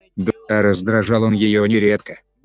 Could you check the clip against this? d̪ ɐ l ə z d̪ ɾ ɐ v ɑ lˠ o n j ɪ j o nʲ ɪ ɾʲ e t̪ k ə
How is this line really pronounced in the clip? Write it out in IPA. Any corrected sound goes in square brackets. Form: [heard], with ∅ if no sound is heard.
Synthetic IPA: d̪ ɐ [ɾ] ə z d̪ ɾ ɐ [ʐ] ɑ lˠ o n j ɪ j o nʲ ɪ ɾʲ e t̪ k ə